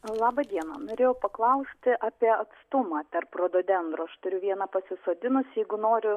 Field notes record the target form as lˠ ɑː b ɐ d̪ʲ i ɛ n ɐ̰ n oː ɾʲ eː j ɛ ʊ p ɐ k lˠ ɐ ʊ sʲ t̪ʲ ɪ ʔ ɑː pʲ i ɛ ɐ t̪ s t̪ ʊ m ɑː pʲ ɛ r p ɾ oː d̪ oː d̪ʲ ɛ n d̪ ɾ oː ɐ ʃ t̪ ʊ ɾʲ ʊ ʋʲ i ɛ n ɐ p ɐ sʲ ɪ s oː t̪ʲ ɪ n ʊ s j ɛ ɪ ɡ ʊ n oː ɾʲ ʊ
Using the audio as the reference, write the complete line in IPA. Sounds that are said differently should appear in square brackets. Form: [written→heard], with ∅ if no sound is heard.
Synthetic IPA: lˠ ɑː b ɐ d̪ʲ i ɛ n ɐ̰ n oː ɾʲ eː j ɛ ʊ p ɐ k lˠ ɐ ʊ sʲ t̪ʲ ɪ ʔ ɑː pʲ i ɛ ɐ t̪ s t̪ ʊ m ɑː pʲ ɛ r p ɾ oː d̪ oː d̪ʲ ɛ n d̪ ɾ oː ɐ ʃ t̪ ʊ ɾʲ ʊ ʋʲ i ɛ n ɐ p ɐ sʲ ɪ s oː [t̪ʲ→d̪ʲ] ɪ n ʊ s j ɛ ɪ ɡ ʊ n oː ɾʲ ʊ